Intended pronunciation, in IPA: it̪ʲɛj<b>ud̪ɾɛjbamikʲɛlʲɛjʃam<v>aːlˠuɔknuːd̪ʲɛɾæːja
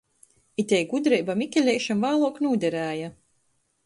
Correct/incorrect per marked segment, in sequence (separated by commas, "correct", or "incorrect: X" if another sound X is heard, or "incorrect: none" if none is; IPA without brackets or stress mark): incorrect: ɡ, correct